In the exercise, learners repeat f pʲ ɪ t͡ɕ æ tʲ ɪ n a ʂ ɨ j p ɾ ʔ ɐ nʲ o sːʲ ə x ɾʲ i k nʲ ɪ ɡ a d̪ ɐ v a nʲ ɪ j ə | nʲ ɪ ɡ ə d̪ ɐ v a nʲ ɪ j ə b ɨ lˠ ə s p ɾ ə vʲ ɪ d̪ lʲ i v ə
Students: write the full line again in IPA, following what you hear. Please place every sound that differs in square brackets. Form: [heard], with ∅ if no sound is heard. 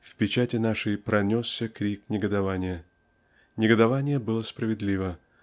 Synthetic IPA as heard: f pʲ ɪ t͡ɕ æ tʲ ɪ n a ʂ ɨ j p ɾ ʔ ɐ nʲ o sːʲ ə [k] ɾʲ i k nʲ ɪ ɡ [ə] d̪ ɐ v a nʲ ɪ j ə | nʲ ɪ ɡ ə d̪ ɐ v a nʲ ɪ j ə b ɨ lˠ ə s p ɾ ə vʲ ɪ d̪ lʲ i v ə